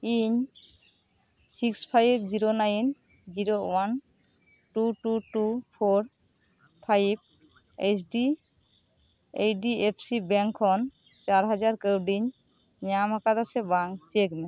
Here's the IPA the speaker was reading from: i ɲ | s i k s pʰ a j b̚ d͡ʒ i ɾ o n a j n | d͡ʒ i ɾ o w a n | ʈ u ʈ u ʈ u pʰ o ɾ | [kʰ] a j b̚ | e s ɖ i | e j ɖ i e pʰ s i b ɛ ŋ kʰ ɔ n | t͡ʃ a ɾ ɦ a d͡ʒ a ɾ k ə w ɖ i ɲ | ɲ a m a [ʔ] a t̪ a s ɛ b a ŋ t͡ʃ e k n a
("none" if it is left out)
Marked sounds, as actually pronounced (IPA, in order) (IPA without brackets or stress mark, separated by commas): pʰ, k